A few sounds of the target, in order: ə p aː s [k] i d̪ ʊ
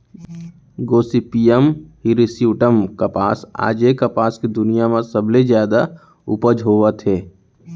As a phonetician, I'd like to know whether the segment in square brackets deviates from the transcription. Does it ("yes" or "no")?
no